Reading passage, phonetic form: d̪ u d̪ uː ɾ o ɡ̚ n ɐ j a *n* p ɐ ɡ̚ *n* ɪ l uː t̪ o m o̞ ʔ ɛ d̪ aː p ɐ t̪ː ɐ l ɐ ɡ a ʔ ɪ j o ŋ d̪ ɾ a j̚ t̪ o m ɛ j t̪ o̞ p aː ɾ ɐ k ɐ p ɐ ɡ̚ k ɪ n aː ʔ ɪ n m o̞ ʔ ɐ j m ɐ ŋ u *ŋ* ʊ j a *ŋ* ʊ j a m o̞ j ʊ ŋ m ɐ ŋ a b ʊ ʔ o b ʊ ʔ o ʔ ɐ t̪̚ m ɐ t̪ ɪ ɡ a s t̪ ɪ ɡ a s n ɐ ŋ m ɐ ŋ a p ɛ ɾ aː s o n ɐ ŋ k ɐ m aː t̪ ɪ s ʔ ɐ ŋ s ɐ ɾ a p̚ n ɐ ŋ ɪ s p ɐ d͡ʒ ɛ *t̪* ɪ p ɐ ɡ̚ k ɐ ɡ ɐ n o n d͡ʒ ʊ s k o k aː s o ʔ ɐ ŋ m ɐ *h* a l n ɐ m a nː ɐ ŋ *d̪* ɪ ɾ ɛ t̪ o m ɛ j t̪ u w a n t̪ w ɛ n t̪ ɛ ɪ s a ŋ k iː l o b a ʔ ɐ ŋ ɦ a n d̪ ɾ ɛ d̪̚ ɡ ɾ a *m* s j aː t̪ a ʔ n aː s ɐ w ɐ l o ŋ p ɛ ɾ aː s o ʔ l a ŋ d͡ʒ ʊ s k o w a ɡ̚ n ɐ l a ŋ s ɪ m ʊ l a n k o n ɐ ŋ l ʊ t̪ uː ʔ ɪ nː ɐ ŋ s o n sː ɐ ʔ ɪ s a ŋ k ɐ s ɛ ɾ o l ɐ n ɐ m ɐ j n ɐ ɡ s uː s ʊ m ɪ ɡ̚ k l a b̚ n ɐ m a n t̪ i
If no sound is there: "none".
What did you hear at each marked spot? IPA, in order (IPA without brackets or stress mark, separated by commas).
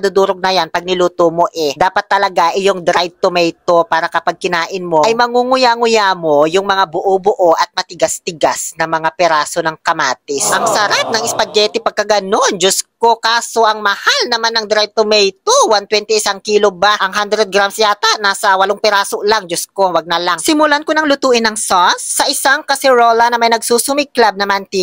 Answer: n, n, ŋ, ŋ, t̪, h, d̪, m